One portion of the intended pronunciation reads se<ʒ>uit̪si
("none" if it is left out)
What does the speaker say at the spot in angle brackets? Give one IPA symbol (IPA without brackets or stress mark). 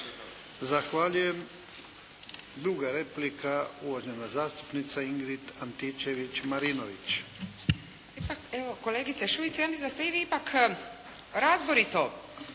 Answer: ʃ